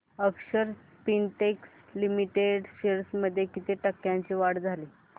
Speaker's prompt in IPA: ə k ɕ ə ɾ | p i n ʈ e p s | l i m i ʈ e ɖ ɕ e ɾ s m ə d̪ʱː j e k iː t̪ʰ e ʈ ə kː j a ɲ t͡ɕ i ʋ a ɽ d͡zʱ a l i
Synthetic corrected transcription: ə k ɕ ə ɾ | p i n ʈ e k s | l i m i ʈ e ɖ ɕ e ɾ s m ə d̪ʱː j e k i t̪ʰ e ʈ ə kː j a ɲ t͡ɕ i ʋ a ɽ d͡zʱ a l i